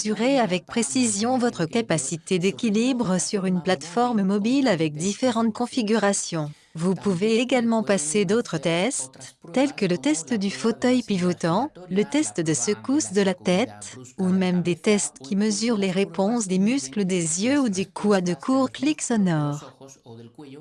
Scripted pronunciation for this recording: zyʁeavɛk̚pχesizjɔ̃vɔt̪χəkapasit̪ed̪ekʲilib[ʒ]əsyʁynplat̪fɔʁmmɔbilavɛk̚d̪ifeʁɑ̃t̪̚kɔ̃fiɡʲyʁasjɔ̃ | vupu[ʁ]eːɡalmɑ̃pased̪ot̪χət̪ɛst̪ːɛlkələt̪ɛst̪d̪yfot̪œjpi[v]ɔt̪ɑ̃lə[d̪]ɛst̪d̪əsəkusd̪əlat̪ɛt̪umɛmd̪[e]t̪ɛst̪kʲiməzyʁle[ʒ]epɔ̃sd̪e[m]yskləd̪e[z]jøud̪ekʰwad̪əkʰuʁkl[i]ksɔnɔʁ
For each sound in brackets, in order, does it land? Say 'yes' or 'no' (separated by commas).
no, no, yes, no, yes, no, yes, yes, yes